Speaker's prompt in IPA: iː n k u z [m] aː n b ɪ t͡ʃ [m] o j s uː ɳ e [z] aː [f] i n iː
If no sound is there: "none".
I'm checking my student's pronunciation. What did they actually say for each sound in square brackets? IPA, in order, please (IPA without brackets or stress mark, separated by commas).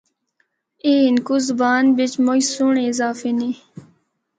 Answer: b, m, z, f